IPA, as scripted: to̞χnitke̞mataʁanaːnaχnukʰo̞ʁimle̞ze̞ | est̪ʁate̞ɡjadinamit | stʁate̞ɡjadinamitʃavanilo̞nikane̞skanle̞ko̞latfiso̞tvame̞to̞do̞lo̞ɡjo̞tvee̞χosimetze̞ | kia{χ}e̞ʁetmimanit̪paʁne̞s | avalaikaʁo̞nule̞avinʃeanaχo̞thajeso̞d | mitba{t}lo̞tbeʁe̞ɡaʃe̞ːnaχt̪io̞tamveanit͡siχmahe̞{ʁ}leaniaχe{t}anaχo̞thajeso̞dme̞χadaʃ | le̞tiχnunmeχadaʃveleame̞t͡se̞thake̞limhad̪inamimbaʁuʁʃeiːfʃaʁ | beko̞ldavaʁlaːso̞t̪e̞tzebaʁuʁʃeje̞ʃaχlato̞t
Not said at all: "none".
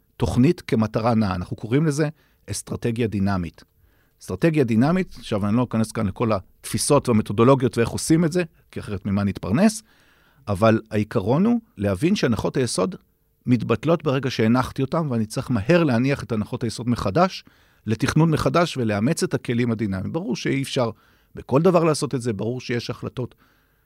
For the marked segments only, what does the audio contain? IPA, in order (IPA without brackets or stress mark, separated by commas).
χ, t, ʁ, t